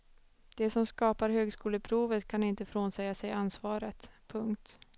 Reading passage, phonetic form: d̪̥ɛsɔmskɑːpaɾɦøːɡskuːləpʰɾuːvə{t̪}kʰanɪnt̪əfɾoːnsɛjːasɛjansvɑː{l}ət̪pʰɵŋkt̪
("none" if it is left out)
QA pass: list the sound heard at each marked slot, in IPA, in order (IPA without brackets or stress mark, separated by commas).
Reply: t̪, ɾ